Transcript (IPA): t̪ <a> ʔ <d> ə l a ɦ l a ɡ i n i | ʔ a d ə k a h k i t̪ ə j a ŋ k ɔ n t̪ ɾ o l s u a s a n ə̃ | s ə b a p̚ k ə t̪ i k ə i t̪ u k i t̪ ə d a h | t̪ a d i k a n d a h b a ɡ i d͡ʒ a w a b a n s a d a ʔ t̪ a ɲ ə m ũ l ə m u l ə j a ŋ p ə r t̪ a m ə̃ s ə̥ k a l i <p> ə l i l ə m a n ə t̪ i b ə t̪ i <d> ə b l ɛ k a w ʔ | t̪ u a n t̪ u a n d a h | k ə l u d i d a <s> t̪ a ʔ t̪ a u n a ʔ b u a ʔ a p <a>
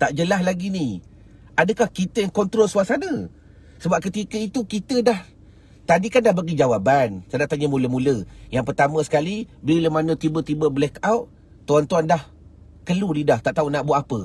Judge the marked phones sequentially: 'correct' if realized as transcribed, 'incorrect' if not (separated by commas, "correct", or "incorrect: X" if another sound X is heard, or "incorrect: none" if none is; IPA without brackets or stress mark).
correct, incorrect: d͡ʒ, incorrect: b, incorrect: b, incorrect: h, incorrect: ə